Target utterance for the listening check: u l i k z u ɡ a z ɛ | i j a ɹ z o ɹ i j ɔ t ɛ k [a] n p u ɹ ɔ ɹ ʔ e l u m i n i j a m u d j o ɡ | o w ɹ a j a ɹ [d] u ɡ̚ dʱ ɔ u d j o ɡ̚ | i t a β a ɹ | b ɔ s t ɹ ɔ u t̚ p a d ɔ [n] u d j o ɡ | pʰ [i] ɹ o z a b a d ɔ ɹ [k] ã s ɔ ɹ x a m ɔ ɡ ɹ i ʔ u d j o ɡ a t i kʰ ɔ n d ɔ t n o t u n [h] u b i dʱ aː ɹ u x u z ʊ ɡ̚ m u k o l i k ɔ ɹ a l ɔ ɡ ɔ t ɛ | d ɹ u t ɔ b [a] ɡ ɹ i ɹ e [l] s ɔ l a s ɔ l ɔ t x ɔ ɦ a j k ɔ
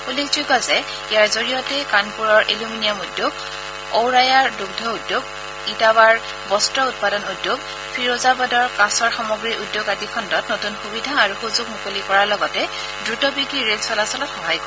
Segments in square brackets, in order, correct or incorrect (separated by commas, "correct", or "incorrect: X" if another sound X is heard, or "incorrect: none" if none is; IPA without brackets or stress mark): correct, correct, correct, correct, correct, incorrect: x, incorrect: i, correct